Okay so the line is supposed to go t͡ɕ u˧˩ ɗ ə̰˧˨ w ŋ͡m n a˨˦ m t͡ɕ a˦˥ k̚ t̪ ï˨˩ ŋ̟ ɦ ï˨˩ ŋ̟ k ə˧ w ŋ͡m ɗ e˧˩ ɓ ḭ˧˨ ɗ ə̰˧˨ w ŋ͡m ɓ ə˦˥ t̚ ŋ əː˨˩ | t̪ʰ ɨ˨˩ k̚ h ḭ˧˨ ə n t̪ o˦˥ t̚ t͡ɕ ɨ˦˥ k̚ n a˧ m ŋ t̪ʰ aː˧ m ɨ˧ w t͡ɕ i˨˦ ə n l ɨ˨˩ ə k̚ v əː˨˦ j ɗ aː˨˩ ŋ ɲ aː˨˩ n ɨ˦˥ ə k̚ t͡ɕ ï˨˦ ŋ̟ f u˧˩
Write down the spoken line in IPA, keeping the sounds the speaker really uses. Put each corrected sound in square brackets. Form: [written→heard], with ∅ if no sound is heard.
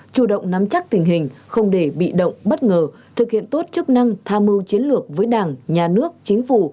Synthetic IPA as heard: t͡ɕ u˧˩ ɗ ə̰˧˨ w ŋ͡m n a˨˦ m t͡ɕ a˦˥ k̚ t̪ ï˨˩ ŋ̟ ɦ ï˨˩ ŋ̟ [k→x] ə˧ w ŋ͡m ɗ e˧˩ ɓ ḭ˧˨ ɗ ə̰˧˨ w ŋ͡m ɓ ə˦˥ t̚ ŋ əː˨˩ | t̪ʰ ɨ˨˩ k̚ h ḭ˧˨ ə n t̪ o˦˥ t̚ t͡ɕ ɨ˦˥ k̚ n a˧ [m→∅] ŋ t̪ʰ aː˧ m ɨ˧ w t͡ɕ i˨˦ ə n l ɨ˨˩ ə k̚ v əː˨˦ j ɗ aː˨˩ ŋ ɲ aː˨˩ n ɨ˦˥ ə k̚ t͡ɕ ï˨˦ ŋ̟ f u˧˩